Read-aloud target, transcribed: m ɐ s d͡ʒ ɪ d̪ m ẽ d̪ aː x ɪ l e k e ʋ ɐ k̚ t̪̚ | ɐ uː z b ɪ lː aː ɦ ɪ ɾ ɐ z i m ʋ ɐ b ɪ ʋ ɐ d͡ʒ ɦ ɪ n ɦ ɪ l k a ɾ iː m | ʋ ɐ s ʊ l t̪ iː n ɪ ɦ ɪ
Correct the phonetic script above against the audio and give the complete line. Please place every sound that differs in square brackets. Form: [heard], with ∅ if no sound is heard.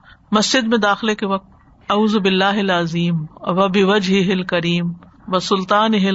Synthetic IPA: m ɐ s d͡ʒ ɪ d̪ m ẽ d̪ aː x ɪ l e k e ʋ ɐ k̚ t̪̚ | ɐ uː z b ɪ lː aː ɦ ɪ [l] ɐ z [iː] m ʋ ɐ b ɪ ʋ ɐ d͡ʒ ɦ ɪ [∅] ɦ ɪ l k [ɐ] ɾ iː m | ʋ ɐ s ʊ l t̪ [aː] n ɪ ɦ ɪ